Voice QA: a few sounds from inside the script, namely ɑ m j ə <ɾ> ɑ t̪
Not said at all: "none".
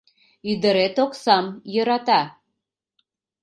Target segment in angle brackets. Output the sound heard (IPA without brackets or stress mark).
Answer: ɾ